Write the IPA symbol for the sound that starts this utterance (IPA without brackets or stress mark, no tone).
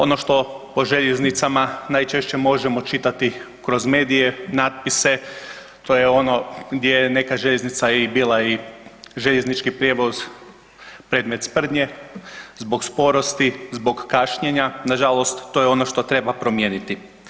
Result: o̞